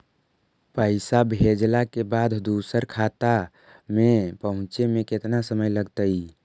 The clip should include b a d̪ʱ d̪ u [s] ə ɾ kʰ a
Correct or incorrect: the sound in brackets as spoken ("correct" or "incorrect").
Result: correct